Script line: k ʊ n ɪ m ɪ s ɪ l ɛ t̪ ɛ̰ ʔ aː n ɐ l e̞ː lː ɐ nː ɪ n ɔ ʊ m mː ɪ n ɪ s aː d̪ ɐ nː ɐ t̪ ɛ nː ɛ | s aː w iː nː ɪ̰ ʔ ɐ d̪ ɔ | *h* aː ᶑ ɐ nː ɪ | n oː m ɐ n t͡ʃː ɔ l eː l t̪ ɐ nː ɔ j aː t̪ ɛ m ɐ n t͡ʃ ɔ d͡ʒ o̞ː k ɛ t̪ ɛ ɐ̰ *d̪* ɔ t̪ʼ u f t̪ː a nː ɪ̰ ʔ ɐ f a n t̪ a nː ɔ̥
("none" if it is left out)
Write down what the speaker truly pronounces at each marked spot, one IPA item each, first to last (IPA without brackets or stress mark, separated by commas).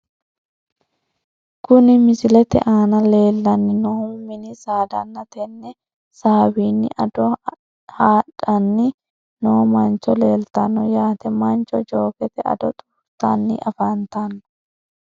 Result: h, d̪